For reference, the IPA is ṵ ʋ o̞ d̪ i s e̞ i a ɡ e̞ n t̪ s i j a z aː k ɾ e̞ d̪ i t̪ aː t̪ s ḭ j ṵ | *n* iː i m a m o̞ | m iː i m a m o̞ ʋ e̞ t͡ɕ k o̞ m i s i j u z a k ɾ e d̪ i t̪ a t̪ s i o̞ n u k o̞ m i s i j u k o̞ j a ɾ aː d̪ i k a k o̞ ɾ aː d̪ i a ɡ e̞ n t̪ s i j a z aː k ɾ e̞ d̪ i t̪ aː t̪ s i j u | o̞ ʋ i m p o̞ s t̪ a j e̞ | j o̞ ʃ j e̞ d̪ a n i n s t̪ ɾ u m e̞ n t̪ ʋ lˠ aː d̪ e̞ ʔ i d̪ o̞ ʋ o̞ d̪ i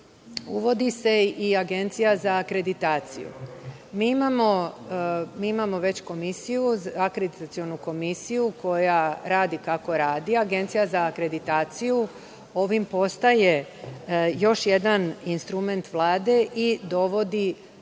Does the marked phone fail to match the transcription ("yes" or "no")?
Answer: yes